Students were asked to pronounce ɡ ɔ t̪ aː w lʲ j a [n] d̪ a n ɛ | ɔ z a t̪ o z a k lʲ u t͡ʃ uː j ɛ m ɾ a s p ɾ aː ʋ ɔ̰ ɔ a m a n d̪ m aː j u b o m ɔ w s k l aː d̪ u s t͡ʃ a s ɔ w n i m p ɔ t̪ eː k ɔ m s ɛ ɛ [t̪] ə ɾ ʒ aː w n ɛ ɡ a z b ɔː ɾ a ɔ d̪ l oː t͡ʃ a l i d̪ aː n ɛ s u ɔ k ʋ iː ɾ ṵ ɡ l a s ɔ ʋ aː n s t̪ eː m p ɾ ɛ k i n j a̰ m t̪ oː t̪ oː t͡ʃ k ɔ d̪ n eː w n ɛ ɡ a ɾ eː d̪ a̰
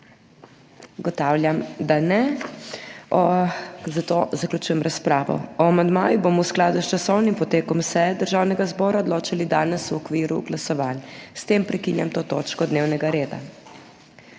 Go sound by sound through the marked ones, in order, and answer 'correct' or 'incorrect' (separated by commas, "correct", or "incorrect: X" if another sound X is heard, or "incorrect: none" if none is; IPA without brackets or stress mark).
incorrect: m, incorrect: d̪